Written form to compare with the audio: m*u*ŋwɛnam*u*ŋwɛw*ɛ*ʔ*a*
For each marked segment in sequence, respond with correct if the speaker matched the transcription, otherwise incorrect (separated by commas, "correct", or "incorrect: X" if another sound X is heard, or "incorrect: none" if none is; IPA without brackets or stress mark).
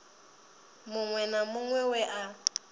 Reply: incorrect: ʊ, incorrect: ʊ, correct, correct